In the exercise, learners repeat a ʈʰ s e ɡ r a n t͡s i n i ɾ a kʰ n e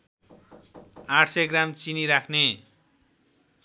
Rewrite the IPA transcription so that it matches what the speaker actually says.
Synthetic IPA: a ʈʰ s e ɡ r a m t͡s i n i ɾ a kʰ n e